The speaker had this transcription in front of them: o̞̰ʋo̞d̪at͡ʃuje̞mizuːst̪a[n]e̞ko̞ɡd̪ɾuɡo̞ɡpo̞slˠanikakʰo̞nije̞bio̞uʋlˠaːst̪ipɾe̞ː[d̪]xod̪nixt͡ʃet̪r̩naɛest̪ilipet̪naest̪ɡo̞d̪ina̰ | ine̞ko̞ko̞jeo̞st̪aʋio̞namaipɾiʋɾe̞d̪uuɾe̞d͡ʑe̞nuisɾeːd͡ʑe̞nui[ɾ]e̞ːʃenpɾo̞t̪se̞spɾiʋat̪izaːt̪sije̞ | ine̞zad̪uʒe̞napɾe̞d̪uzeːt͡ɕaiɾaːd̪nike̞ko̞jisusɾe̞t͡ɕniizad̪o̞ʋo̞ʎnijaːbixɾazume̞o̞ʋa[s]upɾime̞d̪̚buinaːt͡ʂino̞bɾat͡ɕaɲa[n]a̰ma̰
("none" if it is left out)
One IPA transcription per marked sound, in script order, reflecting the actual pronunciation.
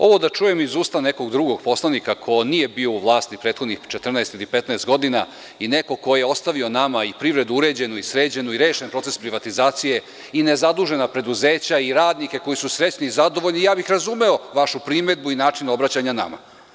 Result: n, t̪, ɾ, ʃ, n

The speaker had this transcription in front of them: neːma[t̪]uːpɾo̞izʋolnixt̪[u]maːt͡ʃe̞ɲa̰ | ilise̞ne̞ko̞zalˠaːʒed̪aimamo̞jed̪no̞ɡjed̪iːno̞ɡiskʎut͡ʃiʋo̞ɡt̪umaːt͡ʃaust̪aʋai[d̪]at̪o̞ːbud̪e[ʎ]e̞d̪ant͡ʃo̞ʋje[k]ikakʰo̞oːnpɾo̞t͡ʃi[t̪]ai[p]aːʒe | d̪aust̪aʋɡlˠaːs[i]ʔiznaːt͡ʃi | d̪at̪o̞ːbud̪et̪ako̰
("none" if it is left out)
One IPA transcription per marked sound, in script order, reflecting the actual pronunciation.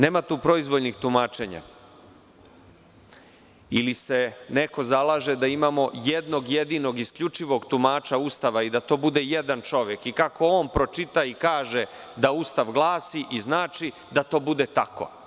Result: t̪, u, d̪, j, k, t̪, k, i

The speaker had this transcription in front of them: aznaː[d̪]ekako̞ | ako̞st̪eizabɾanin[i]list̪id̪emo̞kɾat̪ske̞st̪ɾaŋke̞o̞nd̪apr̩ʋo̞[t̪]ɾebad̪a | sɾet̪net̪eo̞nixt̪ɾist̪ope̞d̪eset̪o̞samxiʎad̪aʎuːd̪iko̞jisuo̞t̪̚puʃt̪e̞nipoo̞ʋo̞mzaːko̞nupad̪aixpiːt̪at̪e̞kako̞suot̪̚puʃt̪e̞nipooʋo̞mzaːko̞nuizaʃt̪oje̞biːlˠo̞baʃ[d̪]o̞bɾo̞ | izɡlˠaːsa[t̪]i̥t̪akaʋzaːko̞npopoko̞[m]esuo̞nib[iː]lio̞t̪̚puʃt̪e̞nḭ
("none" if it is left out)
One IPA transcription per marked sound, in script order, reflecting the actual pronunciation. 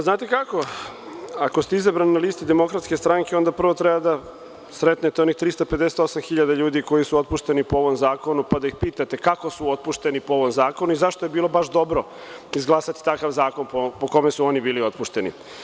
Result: t̪, a, t̪, d̪, t̪, m, iː

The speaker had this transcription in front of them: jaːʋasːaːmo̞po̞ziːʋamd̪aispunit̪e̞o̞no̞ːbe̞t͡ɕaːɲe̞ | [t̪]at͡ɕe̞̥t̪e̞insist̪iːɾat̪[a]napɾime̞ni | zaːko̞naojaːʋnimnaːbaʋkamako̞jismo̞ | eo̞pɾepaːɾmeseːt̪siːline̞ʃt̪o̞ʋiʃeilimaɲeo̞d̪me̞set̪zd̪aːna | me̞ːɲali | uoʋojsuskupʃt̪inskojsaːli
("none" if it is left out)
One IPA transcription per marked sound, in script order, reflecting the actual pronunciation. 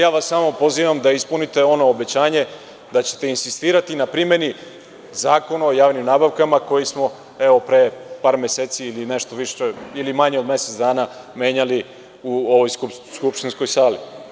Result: d̪, i

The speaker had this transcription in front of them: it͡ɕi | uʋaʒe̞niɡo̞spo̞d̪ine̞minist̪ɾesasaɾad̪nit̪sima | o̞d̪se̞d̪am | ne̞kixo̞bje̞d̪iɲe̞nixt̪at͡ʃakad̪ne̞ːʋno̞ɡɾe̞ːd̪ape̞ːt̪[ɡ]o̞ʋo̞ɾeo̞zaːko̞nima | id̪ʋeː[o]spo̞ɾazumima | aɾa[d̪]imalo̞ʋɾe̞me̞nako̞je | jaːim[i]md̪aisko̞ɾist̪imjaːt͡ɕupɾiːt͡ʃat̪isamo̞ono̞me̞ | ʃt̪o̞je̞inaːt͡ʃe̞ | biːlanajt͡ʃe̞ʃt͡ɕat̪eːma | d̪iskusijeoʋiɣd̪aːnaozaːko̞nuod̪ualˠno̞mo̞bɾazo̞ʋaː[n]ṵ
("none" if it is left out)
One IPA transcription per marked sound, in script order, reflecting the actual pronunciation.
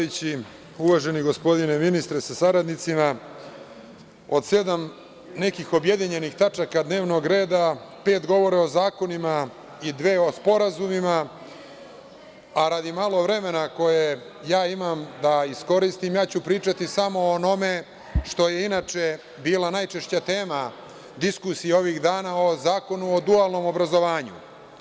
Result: ɡ, o, d̪, a, ɲ

